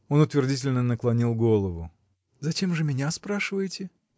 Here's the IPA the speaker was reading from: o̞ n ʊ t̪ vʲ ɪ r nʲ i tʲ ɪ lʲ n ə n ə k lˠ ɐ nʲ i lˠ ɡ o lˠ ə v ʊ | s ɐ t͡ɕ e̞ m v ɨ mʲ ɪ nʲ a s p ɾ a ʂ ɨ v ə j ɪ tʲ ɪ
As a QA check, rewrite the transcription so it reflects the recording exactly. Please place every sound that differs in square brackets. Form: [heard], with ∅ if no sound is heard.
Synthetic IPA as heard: o̞ n ʊ t̪ vʲ ɪ r [dʲ] i tʲ ɪ lʲ n ə n ə k lˠ ɐ nʲ i lˠ ɡ o lˠ ə v ʊ | [z] ɐ t͡ɕ e̞ m [ʐ] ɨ mʲ ɪ nʲ a s p ɾ a ʂ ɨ v ə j ɪ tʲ ɪ